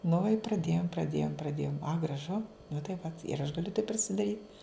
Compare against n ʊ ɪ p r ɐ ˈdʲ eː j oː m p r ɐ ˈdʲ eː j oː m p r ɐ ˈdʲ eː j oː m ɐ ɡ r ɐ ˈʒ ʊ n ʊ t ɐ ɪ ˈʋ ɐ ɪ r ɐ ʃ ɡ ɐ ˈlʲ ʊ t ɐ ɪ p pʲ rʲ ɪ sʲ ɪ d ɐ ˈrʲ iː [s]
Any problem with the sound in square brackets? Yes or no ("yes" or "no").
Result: yes